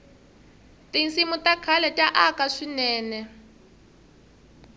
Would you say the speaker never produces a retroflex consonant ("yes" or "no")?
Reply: no